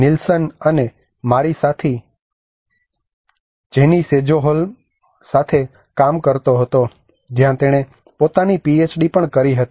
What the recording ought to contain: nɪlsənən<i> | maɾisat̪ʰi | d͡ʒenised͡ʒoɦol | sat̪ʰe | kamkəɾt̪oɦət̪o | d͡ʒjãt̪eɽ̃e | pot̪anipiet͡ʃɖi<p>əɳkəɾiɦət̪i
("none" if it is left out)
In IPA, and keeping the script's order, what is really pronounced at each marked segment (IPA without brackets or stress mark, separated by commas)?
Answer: e, p